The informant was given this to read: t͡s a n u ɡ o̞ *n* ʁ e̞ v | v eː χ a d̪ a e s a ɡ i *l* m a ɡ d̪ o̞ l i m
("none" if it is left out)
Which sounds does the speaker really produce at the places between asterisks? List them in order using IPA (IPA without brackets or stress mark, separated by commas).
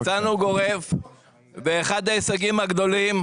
none, none